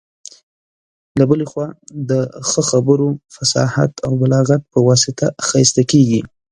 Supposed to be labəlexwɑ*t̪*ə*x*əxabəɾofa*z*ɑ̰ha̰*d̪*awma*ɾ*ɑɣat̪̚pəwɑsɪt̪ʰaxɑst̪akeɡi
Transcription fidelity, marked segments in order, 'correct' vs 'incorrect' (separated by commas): incorrect, correct, incorrect, incorrect, incorrect